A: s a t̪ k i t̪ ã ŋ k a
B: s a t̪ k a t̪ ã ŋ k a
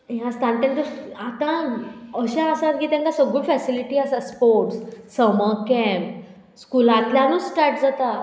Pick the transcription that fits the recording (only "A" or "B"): A